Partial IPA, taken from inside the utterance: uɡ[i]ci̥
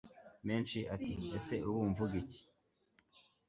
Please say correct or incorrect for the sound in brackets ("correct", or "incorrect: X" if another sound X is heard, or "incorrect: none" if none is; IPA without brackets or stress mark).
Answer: correct